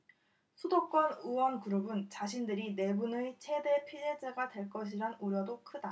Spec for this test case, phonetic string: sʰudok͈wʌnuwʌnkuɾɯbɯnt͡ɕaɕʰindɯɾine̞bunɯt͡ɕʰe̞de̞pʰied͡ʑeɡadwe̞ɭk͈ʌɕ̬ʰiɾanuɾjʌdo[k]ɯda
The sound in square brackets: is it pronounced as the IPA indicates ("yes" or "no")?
no